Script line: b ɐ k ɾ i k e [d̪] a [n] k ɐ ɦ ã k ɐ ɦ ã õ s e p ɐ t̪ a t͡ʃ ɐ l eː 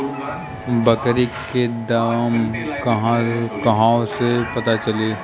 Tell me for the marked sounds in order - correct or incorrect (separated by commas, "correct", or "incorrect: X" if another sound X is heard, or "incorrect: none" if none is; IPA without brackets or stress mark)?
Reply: correct, incorrect: m